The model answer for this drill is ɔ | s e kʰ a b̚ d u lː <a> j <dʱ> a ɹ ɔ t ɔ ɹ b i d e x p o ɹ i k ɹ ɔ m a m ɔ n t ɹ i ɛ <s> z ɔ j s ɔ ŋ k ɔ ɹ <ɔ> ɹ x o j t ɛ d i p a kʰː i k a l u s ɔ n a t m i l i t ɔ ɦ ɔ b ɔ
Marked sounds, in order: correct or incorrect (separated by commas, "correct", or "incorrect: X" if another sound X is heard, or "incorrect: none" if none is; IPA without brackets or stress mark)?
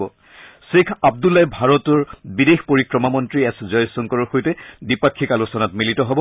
correct, incorrect: bʱ, correct, correct